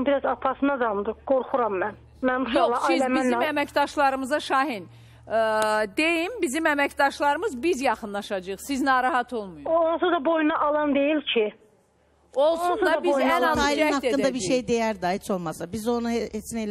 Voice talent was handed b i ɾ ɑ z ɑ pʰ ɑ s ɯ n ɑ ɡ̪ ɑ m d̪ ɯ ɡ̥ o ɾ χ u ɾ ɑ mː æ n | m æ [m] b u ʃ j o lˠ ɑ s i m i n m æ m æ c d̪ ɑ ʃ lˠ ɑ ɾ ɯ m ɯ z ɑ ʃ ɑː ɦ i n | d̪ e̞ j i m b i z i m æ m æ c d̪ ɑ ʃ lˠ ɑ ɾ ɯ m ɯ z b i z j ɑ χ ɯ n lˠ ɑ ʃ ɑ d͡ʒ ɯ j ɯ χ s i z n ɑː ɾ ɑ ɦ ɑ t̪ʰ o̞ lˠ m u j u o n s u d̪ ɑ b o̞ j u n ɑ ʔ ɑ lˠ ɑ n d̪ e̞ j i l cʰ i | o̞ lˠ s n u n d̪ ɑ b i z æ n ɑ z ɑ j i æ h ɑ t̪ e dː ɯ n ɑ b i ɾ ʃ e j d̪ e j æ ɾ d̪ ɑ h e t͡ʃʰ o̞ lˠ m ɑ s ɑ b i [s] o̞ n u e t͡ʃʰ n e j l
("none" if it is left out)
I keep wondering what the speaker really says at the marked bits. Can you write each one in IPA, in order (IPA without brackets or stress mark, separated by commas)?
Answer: n, z